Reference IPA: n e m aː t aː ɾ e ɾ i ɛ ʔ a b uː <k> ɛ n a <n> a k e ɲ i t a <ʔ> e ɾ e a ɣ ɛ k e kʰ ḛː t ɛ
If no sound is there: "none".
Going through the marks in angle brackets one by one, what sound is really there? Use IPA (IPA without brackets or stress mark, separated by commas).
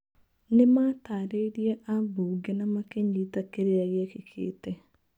ɡ, m, k